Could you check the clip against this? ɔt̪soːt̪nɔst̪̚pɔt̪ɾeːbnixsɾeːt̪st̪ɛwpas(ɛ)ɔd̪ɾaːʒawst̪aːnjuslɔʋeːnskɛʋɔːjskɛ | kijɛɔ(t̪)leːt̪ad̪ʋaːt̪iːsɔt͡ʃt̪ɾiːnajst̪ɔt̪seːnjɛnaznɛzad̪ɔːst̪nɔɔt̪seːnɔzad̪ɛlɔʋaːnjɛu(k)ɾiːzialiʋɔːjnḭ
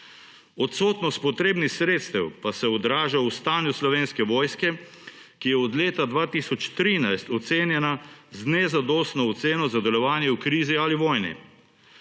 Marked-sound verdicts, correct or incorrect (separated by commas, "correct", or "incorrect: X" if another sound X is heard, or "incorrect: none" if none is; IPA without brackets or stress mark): correct, incorrect: d̪, correct